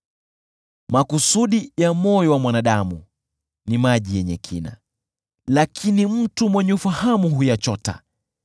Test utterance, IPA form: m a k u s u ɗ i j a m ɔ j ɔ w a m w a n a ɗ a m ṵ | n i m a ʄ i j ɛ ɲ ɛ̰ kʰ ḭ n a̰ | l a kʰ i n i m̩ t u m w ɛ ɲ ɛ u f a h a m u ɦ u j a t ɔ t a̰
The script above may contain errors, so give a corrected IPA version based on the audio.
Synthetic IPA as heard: m a k u s u ɗ i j a m ɔ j ɔ w a m w a n a ɗ a m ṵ | n i m a ʄ i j ɛ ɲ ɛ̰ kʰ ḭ n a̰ | l a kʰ i n i m̩ t u m w ɛ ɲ ɛ u f a h a m u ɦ u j a t͡ʃ ɔ t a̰